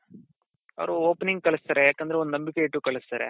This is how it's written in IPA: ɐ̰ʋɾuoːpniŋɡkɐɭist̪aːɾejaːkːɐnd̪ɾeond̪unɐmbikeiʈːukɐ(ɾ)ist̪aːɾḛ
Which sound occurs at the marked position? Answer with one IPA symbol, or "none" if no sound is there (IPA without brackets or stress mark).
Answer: ɭ